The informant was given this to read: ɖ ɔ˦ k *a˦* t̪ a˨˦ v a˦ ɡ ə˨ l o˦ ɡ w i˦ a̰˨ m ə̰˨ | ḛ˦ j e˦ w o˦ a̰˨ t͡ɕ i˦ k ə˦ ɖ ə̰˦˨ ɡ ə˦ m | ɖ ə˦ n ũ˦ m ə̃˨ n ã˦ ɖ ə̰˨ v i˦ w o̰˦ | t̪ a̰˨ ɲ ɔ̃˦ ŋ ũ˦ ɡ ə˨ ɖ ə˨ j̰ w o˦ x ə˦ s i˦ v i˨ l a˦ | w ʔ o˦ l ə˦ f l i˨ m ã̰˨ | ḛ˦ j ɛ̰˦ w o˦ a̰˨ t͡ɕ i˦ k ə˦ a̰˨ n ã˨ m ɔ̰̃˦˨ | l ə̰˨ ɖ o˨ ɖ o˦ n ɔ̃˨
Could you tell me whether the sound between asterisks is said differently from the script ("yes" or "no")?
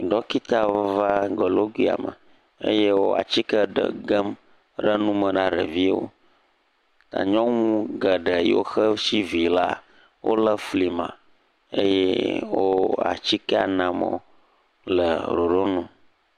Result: yes